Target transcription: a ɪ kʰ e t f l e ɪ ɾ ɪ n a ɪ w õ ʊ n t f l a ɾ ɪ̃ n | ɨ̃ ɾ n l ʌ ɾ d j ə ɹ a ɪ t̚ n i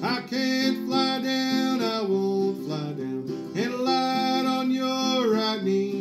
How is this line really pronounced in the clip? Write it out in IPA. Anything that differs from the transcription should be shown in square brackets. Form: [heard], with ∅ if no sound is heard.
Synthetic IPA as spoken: a ɪ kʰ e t f l [a] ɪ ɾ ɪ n a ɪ w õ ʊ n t f l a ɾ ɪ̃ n | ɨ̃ [∅] n l [a] ɾ [n] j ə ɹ a ɪ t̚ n i